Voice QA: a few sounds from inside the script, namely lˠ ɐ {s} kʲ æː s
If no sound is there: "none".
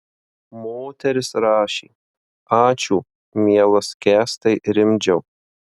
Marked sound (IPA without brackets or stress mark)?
s